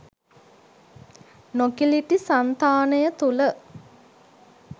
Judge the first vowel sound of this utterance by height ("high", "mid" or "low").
mid